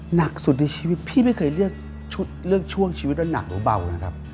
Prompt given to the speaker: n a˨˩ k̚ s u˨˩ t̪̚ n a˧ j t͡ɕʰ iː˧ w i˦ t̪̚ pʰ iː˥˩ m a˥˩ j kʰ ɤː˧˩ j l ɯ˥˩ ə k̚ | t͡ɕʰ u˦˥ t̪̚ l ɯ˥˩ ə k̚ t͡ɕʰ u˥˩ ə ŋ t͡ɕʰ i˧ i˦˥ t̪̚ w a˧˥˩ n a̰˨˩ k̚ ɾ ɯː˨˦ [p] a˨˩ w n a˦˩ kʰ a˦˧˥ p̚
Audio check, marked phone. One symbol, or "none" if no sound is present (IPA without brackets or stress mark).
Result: b